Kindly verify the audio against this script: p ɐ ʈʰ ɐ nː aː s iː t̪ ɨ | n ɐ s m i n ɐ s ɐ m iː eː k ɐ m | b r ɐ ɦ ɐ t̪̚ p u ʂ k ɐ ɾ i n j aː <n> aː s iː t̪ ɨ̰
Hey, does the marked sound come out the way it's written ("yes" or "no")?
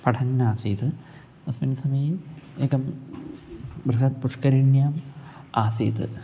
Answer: no